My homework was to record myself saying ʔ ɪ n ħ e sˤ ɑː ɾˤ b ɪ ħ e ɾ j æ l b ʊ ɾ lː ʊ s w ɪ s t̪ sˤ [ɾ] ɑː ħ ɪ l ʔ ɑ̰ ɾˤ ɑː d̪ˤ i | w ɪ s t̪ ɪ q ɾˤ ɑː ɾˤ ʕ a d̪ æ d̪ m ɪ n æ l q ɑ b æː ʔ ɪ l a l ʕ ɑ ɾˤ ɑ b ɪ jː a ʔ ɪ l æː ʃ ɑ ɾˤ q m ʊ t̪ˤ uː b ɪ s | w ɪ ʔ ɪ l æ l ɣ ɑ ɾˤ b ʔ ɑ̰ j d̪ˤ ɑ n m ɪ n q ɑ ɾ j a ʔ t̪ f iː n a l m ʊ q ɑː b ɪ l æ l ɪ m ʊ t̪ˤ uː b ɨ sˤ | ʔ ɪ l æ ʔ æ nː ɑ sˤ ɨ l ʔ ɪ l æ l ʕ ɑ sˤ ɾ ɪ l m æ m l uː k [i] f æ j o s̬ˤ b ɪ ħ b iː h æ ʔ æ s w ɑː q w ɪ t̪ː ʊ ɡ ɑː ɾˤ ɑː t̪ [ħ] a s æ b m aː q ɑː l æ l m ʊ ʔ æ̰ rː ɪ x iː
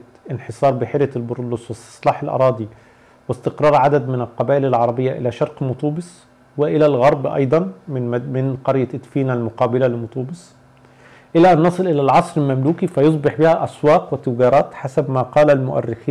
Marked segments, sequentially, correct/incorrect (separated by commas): incorrect, correct, correct